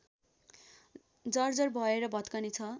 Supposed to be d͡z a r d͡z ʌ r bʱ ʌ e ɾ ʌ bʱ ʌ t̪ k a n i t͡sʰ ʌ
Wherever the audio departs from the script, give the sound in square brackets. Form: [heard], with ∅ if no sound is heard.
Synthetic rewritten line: d͡z [ʌ] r d͡z ʌ r bʱ ʌ e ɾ ʌ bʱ ʌ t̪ k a n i t͡sʰ ʌ